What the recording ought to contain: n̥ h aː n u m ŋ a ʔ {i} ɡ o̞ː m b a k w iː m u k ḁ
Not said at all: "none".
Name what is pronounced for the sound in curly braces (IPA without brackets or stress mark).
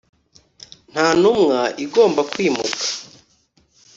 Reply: i